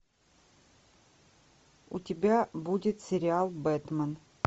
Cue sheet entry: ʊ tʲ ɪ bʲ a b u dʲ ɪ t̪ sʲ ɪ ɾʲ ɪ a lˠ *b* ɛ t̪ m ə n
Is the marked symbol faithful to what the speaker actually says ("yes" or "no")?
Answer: yes